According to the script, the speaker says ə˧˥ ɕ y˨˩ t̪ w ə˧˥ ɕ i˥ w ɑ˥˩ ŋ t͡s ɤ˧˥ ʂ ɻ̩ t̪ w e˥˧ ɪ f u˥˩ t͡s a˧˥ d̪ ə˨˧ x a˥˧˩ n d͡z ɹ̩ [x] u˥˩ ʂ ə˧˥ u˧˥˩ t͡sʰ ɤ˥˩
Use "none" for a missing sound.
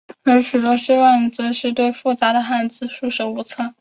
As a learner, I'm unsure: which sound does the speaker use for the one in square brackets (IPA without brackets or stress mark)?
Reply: ʂ